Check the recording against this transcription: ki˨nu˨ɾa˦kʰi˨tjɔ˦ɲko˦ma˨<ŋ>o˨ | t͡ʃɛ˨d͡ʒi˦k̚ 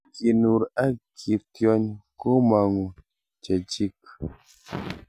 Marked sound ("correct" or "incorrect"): correct